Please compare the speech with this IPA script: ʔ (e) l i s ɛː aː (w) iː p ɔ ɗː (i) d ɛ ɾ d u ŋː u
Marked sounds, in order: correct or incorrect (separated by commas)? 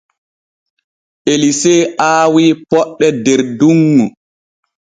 correct, correct, incorrect